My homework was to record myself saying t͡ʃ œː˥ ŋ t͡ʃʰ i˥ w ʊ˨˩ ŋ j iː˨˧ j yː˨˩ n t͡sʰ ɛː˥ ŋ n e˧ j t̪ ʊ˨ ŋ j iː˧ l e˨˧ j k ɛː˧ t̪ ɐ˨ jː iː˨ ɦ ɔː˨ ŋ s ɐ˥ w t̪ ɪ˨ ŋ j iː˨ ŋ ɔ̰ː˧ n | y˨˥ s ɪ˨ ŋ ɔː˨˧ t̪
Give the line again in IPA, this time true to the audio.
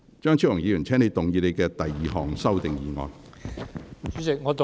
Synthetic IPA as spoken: t͡ʃ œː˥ ŋ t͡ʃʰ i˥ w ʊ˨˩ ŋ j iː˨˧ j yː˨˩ n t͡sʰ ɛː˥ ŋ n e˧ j t̪ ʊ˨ ŋ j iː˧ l e˨˧ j k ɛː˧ t̪ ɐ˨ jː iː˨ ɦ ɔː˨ ŋ s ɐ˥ w t̪ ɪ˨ ŋ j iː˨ ŋ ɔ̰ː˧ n | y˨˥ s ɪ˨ ŋ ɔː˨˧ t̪

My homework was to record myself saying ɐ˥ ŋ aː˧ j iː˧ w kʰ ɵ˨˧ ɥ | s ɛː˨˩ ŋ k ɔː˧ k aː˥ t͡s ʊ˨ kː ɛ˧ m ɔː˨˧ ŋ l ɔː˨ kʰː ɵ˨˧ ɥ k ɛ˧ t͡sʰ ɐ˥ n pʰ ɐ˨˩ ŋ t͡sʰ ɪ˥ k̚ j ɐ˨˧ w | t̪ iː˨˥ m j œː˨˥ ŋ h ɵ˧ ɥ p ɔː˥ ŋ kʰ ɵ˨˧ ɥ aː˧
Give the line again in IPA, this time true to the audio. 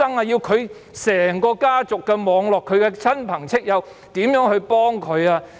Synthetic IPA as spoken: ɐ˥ ŋ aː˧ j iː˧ w kʰ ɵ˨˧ ɥ | s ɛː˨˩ ŋ k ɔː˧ k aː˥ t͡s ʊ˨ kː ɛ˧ m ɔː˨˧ ŋ l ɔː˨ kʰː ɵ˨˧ ɥ k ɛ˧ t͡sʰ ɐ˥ n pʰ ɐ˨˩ ŋ t͡sʰ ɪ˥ k̚ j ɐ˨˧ w | t̪ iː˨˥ m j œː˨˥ ŋ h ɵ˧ ɥ p ɔː˥ ŋ kʰ ɵ˨˧ ɥ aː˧

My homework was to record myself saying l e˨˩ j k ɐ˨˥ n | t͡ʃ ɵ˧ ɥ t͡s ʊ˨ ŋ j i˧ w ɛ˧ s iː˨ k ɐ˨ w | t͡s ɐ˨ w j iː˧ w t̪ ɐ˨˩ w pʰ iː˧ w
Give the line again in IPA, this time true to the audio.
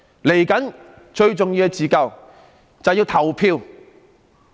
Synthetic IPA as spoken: l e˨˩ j k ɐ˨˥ n | t͡ʃ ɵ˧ ɥ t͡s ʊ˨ ŋ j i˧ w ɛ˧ t͡s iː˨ k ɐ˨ w | t͡s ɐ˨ w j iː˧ w t̪ʰ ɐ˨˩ w pʰ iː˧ w

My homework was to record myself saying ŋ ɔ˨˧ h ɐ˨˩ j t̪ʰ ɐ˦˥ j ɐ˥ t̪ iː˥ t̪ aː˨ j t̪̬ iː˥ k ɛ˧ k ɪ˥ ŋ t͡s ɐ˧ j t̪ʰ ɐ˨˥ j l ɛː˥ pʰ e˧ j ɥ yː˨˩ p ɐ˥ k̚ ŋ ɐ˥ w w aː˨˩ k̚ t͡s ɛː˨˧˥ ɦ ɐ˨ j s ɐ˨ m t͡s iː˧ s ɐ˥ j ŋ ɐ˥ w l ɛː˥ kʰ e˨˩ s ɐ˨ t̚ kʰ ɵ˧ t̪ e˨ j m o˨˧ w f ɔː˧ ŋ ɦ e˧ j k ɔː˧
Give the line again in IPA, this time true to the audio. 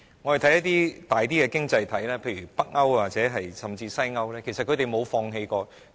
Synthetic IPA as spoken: ŋ ɔ˨˧ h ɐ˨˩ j t̪ʰ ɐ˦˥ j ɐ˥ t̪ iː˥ t̪ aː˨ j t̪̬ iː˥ k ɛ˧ k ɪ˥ ŋ t͡s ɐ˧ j t̪ʰ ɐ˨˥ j l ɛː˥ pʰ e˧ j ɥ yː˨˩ p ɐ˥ k̚ ŋ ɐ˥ w w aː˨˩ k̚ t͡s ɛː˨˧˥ ɦ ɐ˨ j s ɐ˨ m t͡s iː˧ s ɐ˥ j ŋ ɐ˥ w l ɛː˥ kʰ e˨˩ s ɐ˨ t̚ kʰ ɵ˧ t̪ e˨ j m o˨˧ w f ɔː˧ ŋ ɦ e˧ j k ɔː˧

